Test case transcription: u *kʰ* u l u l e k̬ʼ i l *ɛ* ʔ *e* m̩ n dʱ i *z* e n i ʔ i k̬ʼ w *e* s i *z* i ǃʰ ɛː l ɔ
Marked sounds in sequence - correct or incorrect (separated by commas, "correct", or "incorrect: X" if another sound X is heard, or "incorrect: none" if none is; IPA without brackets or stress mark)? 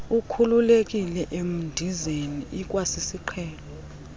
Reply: correct, correct, correct, correct, incorrect: a, incorrect: s